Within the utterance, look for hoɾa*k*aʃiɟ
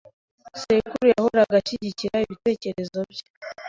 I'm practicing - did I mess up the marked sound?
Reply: yes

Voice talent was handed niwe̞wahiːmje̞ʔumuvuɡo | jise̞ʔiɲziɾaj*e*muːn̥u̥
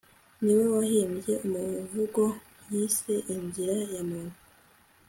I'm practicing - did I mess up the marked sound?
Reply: yes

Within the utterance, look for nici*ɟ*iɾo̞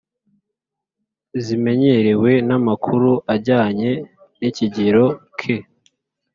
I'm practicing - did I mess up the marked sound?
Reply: no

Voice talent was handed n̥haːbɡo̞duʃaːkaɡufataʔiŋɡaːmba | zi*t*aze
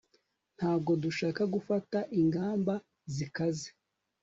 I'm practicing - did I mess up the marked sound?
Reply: yes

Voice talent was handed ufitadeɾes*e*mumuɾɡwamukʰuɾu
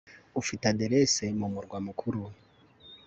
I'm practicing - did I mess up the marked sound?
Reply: no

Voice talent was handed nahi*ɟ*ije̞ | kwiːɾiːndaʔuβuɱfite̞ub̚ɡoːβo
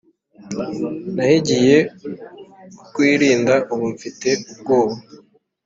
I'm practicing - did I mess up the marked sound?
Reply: no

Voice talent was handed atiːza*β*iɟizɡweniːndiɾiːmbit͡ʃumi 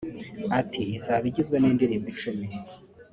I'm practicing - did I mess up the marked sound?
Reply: no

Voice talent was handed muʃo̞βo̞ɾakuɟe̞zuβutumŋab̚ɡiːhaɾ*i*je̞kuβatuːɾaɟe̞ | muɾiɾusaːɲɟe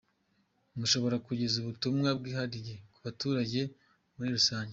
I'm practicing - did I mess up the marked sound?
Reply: no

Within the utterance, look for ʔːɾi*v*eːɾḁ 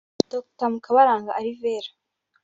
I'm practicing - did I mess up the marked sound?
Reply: no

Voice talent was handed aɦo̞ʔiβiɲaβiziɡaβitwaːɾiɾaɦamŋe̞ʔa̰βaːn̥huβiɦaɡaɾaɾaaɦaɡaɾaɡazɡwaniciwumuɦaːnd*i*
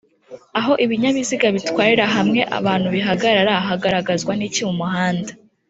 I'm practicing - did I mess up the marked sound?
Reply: yes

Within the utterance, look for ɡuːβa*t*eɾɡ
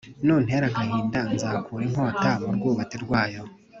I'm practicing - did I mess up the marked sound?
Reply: no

